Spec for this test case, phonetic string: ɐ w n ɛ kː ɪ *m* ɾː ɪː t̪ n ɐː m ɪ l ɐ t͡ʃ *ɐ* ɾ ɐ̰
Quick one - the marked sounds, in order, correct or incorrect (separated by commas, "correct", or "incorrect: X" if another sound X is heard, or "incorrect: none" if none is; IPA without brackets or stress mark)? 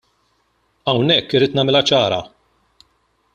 incorrect: none, incorrect: ɐː